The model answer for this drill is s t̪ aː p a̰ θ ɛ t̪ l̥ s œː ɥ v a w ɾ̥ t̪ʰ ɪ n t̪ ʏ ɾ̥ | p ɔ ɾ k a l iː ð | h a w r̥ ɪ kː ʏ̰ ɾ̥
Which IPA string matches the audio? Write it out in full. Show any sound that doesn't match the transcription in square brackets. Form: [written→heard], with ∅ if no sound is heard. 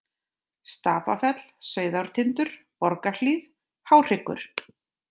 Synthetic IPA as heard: s t̪ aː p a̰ [θ→f] ɛ t̪ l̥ s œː ɥ [v→ð] a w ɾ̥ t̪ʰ ɪ n t̪ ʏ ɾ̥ | p ɔ ɾ k a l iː ð | h a w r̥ ɪ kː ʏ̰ ɾ̥